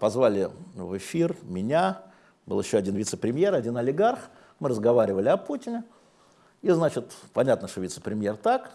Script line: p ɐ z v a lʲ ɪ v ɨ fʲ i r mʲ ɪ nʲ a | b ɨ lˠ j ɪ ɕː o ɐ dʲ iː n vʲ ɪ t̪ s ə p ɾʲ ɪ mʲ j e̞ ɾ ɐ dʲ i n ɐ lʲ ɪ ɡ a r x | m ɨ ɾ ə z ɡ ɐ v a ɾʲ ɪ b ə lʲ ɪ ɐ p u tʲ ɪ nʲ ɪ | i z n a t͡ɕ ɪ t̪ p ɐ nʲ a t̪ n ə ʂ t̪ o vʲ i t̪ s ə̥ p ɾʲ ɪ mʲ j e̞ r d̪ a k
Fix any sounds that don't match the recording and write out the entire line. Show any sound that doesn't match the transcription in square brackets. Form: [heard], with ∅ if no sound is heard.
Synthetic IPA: p ɐ z v a lʲ ɪ v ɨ fʲ i r mʲ ɪ nʲ a | b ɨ lˠ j ɪ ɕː o ɐ dʲ [i] n vʲ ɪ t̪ s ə p ɾʲ ɪ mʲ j e̞ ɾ ɐ dʲ i n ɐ lʲ ɪ ɡ a r x | m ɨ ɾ ə z ɡ ɐ v a ɾʲ ɪ [v] ə lʲ ɪ ɐ p u tʲ ɪ nʲ ɪ | i z n a t͡ɕ ɪ t̪ p ɐ nʲ a t̪ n ə ʂ t̪ o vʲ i t̪ s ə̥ p ɾʲ ɪ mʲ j e̞ r [t̪] a k